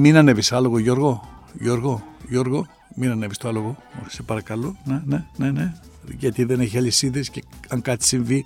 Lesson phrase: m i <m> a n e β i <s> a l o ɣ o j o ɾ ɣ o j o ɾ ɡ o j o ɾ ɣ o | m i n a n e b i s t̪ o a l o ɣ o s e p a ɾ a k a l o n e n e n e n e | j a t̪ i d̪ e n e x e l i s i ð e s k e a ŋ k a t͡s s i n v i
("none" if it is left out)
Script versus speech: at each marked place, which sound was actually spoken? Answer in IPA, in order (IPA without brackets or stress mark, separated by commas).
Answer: n, s